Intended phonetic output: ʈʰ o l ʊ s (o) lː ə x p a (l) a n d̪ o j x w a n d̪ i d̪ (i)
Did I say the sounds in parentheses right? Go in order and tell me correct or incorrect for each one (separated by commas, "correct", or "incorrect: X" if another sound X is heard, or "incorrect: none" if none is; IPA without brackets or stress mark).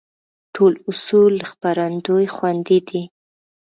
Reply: incorrect: u, incorrect: ɾ, correct